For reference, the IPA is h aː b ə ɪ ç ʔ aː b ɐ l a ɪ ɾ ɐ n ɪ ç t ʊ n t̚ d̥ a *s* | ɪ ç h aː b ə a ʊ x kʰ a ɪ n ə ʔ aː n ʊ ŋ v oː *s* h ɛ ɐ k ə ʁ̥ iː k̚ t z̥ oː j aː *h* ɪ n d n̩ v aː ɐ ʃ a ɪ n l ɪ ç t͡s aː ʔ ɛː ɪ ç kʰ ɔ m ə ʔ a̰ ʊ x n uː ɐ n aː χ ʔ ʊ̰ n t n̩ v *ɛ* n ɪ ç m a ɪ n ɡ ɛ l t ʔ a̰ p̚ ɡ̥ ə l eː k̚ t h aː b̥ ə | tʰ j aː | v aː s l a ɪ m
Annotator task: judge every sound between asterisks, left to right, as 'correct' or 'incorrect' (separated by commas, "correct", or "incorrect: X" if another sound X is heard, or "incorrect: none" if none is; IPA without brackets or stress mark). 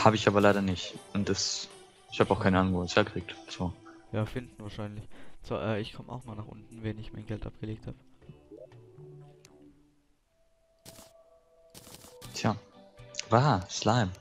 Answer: correct, correct, incorrect: f, correct